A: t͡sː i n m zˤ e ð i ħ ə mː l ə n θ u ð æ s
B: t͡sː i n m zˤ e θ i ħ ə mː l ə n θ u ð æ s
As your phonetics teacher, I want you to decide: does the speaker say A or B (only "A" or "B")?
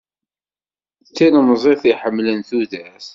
B